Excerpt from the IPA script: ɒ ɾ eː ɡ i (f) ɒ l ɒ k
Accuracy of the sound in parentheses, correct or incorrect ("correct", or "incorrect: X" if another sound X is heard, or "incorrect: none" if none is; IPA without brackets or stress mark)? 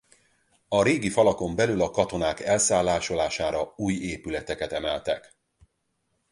correct